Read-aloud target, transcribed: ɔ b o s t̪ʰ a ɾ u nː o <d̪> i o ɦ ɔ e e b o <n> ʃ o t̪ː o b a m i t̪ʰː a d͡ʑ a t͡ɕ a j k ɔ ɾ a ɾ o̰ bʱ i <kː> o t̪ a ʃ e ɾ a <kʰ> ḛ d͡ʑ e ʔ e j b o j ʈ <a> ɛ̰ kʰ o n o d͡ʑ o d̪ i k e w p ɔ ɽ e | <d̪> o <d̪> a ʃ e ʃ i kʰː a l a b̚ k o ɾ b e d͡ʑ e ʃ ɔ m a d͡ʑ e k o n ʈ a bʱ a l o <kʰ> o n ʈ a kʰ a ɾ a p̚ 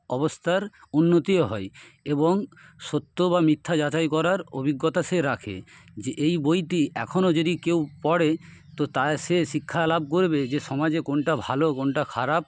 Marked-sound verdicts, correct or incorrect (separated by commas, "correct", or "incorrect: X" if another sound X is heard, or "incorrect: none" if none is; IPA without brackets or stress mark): incorrect: t̪, incorrect: ŋ, incorrect: ɡː, correct, incorrect: i, incorrect: t̪, incorrect: t̪, incorrect: k